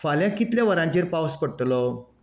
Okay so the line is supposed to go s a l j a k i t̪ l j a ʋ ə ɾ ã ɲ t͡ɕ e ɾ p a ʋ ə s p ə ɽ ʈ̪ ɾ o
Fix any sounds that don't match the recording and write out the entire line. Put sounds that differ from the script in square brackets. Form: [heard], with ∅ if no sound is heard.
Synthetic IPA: [f] a l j a k i t̪ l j a ʋ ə ɾ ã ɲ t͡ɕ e ɾ p a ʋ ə s p ə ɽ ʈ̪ [l] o